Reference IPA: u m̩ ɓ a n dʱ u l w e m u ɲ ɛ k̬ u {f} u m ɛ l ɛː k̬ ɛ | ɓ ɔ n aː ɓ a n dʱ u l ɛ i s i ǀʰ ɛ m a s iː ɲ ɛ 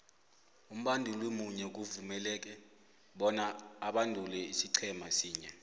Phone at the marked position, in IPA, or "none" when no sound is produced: v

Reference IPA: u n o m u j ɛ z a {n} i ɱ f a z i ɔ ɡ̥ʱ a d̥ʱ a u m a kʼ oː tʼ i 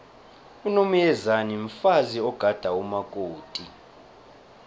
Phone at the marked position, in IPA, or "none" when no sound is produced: n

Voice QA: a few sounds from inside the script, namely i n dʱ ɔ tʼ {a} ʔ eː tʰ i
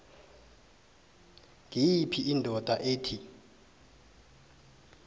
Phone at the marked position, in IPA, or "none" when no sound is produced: a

